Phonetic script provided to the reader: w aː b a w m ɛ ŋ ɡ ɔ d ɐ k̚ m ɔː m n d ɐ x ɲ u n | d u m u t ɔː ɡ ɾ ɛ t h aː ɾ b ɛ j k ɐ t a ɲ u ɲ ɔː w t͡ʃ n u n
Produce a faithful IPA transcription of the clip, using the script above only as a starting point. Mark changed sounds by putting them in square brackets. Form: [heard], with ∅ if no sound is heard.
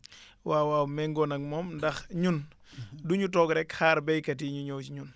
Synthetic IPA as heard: w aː [w] a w m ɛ ŋ ɡ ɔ [n] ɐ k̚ m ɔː m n d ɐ x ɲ u n | d u [ɲ] u t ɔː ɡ ɾ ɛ [k] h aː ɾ b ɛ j k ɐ t [i] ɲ u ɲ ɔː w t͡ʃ [ɲ] u n